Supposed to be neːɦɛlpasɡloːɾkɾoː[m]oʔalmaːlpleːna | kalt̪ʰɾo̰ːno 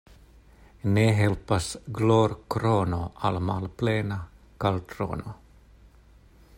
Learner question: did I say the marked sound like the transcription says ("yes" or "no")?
no